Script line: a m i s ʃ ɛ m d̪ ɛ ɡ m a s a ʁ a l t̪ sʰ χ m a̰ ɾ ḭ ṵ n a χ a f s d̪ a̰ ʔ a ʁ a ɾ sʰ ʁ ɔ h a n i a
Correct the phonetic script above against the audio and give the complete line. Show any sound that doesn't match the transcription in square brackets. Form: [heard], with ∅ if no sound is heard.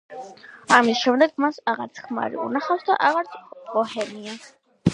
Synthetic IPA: a m i s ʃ ɛ m d̪ ɛ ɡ m a s a ʁ a [ɾ] t̪ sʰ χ m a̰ ɾ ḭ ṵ n a χ a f s d̪ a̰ ʔ a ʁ a ɾ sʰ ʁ ɔ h [ɛ] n i a